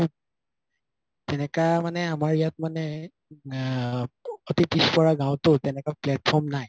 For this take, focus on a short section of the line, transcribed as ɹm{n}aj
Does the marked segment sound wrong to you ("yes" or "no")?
no